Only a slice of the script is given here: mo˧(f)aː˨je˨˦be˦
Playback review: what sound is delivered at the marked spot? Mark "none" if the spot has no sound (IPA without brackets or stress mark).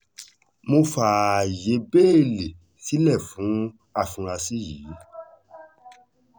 f